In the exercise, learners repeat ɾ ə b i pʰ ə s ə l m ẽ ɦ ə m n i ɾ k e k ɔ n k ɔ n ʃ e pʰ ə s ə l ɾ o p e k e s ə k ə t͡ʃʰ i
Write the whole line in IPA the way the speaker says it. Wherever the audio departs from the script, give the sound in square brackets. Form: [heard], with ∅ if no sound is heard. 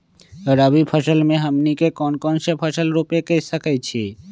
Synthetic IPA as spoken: ɾ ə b i pʰ ə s ə l m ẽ ɦ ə m n i [∅] k e k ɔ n k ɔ n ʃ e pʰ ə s ə l ɾ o p e k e s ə k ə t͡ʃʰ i